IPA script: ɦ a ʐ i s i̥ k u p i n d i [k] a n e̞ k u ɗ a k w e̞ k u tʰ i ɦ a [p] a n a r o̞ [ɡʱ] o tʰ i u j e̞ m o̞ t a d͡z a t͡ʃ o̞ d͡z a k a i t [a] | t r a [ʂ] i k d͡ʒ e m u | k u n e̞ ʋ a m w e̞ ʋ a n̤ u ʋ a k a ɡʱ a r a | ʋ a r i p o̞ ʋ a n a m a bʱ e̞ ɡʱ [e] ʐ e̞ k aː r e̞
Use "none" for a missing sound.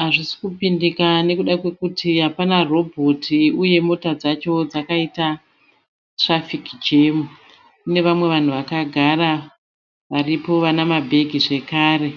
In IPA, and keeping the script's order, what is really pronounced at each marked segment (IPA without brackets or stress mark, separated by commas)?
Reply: k, p, bʱ, a, f, i